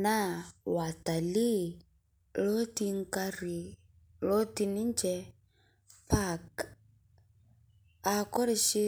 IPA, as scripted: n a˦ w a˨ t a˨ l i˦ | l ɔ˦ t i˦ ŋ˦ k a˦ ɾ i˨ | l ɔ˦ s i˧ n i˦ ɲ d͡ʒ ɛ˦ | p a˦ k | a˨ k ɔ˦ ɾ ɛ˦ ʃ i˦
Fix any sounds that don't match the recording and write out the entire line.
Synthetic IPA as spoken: n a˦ w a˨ t a˨ l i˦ | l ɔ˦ t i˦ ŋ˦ k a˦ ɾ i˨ | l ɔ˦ t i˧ n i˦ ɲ d͡ʒ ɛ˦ | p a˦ k | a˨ k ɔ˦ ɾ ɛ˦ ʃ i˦